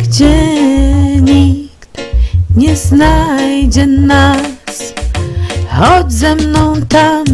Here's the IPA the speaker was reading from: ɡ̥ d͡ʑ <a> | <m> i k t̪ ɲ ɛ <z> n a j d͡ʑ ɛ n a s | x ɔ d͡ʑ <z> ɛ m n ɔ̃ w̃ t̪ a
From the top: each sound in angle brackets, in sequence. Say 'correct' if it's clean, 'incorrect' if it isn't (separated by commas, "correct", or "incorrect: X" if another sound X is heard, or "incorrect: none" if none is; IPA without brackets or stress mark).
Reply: incorrect: ɛ, incorrect: ɲ, correct, correct